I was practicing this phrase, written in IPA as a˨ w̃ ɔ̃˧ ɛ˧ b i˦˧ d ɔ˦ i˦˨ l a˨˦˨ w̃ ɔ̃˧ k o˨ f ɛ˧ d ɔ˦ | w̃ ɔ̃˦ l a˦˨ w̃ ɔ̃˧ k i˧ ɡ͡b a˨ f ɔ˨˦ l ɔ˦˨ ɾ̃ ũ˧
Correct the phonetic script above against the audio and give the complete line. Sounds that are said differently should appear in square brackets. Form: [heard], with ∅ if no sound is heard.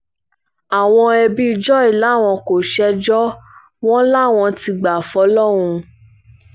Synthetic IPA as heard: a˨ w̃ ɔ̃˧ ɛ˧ b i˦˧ [d͡ʒ] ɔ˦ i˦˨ l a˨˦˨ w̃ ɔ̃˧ k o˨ [ʃ] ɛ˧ [d͡ʒ] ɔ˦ | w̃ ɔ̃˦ l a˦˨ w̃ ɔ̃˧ [t] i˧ ɡ͡b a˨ f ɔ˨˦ l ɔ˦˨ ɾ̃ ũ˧